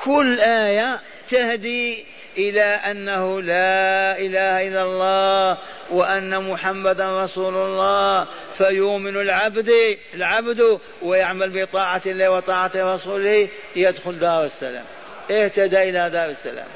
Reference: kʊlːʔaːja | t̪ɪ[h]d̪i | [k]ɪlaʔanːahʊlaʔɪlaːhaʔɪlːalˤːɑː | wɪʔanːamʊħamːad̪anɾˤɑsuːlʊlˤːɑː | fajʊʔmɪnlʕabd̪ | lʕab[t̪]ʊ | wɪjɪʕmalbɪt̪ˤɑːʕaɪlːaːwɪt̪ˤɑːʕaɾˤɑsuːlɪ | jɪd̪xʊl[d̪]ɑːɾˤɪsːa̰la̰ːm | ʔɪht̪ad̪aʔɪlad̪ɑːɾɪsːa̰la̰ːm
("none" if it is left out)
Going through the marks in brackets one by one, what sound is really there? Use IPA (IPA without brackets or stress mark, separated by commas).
h, ʔ, d̪, d̪